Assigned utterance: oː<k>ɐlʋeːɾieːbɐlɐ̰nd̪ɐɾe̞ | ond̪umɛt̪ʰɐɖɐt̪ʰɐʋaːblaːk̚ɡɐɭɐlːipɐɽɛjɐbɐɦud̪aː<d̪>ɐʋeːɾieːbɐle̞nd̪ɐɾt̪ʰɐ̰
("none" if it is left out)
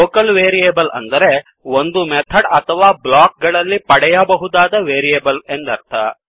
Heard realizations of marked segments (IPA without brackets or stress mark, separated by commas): k, d̪